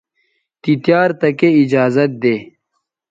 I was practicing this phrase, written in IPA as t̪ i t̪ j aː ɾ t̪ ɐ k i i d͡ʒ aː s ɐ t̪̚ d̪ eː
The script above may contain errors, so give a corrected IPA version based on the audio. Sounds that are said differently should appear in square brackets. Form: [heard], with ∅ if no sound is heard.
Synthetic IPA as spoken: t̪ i t̪ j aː ɾ t̪ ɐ k [e] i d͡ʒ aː [z] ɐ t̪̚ d̪ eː